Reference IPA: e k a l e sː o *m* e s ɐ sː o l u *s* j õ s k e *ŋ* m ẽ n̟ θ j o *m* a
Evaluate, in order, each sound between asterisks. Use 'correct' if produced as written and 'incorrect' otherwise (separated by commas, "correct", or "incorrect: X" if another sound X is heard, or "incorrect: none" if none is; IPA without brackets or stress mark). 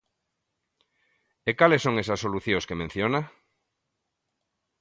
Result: incorrect: ŋ, incorrect: θ, incorrect: none, incorrect: n